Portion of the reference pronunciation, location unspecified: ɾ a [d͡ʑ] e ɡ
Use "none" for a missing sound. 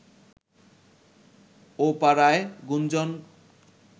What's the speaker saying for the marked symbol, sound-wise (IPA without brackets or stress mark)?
none